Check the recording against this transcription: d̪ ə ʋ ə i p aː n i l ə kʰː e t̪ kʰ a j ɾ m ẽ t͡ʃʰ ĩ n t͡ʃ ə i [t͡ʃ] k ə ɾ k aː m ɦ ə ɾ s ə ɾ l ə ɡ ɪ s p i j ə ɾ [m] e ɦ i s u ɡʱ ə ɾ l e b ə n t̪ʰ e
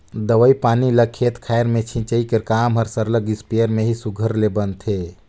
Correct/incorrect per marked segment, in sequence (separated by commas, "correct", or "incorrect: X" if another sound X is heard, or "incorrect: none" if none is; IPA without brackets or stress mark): incorrect: none, correct